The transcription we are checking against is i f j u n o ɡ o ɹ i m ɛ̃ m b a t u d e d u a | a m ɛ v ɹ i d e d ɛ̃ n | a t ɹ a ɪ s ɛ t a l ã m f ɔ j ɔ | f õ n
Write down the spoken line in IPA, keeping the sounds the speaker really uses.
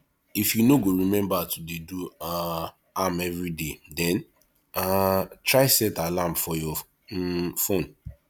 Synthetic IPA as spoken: i f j u n o ɡ o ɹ i m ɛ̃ m b a t u d e d u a | a m ɛ v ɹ i d e d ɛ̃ n | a t ɹ a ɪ s ɛ t a l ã m f ɔ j ɔ | f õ n